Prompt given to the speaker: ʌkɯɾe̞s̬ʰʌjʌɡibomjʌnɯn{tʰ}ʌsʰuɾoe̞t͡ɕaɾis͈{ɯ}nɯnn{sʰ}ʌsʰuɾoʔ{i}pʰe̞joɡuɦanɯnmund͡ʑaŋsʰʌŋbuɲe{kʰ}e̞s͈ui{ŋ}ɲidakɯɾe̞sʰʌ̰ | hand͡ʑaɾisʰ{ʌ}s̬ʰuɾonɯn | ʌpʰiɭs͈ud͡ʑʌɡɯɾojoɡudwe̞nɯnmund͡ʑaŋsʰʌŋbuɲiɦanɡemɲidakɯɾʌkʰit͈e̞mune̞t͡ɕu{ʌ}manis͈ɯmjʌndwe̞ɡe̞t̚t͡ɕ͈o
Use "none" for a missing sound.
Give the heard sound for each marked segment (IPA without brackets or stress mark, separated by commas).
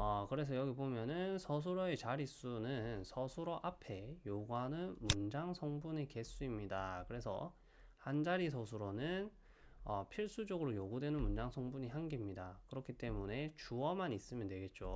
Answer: sʰ, u, sʰ, a, k, m, ʌ, ʌ